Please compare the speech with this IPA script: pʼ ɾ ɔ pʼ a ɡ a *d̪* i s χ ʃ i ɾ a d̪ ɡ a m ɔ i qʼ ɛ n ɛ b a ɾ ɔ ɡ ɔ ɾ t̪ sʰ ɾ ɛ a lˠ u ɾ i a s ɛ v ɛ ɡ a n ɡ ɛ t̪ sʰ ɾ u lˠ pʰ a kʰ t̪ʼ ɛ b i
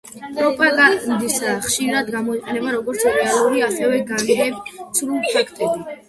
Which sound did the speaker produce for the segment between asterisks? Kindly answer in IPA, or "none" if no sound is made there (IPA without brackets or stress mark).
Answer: d̪